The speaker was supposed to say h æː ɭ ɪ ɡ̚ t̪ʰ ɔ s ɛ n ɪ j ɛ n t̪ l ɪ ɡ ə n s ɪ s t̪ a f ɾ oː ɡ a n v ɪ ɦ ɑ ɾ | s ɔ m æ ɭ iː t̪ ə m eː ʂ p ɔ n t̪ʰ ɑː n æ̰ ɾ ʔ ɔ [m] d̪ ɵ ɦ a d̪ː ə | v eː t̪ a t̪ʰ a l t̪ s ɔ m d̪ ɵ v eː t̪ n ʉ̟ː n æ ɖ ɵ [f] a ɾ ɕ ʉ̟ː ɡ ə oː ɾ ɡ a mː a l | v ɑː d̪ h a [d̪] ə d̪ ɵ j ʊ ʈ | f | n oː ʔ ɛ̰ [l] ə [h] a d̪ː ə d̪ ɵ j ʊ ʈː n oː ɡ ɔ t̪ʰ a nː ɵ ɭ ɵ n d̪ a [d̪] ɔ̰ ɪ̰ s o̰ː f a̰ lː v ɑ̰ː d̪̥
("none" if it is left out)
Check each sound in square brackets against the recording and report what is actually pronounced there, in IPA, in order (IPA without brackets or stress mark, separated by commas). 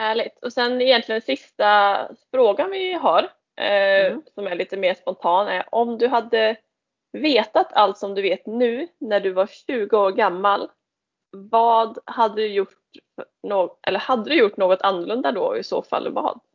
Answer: m, v, d̪ː, lː, h, d̪